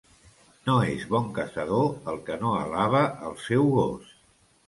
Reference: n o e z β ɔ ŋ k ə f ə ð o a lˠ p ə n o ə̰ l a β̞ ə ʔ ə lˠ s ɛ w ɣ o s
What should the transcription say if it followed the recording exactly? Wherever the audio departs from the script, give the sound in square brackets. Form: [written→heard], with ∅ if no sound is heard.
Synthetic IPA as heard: n o e z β ɔ ŋ k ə [f→s] ə ð o [a→ə] lˠ [p→k] ə n o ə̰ l a β̞ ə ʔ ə lˠ s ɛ w ɣ o s